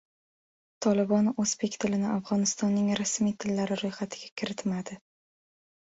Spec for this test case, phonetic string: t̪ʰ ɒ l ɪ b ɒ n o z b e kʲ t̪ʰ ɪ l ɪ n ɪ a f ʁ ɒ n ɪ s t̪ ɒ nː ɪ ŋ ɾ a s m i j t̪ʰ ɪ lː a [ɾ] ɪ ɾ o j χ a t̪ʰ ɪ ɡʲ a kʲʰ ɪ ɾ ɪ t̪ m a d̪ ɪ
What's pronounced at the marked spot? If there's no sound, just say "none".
ɾ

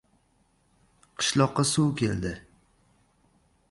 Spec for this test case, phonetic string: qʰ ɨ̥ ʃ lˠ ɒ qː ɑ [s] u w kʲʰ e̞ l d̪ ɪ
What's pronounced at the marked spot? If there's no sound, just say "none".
s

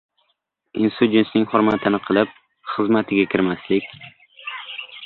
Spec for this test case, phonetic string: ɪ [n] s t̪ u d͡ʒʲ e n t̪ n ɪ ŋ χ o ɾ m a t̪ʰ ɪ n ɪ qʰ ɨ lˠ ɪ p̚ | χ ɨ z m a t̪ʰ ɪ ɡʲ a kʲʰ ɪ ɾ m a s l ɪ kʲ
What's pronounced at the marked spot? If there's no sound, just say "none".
n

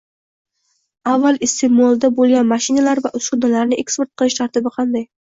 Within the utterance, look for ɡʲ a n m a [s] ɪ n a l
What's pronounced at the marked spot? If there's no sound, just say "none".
ʃ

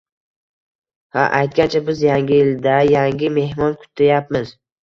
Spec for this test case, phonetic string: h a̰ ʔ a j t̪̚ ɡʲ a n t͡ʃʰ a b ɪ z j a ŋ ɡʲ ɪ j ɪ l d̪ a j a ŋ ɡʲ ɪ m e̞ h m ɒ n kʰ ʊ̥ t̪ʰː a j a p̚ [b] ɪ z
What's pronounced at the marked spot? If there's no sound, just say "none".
m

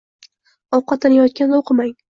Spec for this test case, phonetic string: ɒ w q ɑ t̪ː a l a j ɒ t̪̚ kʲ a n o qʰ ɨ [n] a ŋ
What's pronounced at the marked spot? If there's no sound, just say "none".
m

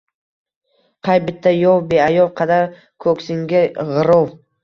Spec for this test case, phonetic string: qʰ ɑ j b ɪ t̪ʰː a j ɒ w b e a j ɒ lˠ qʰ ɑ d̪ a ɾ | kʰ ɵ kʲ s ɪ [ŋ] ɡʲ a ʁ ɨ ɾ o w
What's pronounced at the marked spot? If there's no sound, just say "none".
ŋ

